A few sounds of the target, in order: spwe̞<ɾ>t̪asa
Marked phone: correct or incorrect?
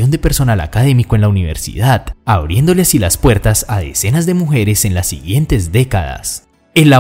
correct